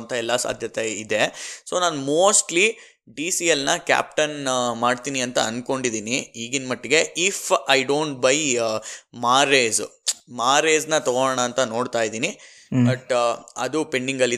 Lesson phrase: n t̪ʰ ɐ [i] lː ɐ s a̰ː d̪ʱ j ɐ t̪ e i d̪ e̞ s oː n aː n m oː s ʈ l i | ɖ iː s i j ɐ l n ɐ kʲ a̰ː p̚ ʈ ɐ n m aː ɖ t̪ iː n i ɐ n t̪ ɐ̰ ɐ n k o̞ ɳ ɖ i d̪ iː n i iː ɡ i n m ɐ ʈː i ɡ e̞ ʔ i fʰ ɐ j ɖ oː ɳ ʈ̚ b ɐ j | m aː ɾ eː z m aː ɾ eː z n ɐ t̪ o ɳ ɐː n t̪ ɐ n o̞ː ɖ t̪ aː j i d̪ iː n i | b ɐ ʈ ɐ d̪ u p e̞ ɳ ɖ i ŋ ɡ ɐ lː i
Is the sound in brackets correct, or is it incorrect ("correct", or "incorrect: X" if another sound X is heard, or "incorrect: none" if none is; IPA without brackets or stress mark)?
incorrect: ɛ